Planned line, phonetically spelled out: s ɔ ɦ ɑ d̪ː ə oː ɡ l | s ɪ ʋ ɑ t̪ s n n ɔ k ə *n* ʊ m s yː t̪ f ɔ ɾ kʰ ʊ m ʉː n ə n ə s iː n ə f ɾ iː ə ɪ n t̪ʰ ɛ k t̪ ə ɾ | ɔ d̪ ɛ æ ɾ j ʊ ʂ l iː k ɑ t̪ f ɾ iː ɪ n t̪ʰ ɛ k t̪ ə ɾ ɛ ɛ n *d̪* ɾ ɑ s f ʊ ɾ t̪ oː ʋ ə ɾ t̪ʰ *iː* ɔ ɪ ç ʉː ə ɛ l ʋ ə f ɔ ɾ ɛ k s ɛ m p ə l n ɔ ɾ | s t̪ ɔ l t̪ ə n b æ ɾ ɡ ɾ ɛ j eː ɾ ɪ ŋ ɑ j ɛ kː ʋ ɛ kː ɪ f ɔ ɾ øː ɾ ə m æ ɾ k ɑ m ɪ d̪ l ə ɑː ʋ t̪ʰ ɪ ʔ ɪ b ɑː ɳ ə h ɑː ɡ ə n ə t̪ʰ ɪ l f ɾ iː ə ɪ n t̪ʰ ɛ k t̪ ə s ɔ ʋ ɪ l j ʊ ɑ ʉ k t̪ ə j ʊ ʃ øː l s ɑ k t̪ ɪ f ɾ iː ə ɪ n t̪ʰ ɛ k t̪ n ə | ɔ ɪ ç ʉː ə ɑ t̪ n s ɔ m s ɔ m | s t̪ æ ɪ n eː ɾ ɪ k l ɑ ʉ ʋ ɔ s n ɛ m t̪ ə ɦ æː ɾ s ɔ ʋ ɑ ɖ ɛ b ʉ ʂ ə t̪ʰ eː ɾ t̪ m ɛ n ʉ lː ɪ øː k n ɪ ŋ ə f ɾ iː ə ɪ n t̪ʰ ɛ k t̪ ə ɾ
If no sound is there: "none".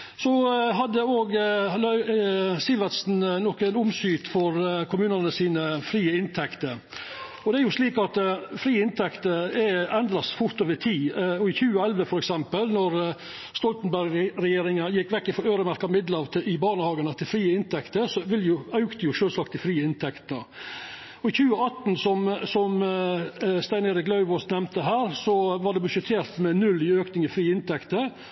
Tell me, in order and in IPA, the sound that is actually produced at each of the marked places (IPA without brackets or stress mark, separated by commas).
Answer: n, d̪, iː